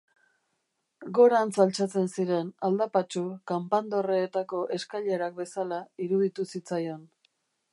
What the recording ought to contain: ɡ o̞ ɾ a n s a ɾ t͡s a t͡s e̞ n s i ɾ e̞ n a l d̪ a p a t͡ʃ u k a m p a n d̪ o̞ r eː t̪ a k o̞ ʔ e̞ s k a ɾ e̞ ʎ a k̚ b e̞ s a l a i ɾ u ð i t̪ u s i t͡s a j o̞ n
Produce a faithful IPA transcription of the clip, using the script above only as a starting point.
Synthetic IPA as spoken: ɡ o̞ ɾ a n s a l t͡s a t͡s e̞ n s i ɾ e̞ n a l d̪ a p a t͡ʃ u k a m p a n d̪ o̞ r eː t̪ a k o̞ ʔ e̞ s k a ʎ e̞ ɾ a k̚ b e̞ s a l a i ɾ u ð i t̪ u s i t͡s a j o̞ n